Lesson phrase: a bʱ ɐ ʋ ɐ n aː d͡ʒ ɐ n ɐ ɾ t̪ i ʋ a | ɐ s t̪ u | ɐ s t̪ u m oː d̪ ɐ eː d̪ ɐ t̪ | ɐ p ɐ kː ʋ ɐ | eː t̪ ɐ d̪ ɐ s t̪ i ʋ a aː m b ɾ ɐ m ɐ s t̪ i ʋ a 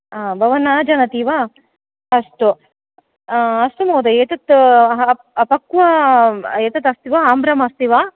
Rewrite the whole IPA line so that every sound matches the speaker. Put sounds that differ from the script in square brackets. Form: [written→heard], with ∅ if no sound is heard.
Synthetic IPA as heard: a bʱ ɐ ʋ ɐ n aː d͡ʒ ɐ n ɐ [ɾ→∅] t̪ i ʋ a | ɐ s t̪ u | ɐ s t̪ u m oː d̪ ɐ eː [d̪→t̪] ɐ t̪ | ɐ p ɐ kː ʋ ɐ | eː t̪ ɐ [d̪→t̪] ɐ s t̪ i ʋ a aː m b ɾ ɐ m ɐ s t̪ i ʋ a